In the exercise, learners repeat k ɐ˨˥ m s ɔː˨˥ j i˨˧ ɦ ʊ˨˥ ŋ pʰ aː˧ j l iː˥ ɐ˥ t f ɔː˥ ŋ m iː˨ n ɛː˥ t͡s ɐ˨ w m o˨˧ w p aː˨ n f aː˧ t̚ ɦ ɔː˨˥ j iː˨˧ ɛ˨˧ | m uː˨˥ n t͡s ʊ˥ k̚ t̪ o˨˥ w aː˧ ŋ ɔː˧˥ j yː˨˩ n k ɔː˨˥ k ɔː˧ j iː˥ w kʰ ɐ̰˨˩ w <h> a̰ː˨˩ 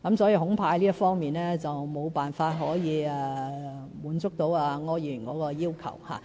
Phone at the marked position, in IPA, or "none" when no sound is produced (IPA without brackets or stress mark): h